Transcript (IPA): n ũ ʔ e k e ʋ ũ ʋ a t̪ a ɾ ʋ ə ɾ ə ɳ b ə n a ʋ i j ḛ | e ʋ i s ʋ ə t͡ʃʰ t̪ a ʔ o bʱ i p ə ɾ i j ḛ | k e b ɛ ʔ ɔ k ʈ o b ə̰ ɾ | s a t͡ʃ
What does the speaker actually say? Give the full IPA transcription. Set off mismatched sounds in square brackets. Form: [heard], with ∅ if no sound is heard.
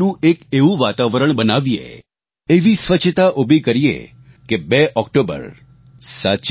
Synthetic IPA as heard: n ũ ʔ e k e ʋ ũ ʋ a t̪ a [∅] ʋ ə ɾ ə ɳ b ə n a ʋ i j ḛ | e ʋ i s ʋ ə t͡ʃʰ t̪ a ʔ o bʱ i [k] ə ɾ i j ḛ | k e b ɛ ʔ ɔ k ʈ o b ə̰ ɾ | s a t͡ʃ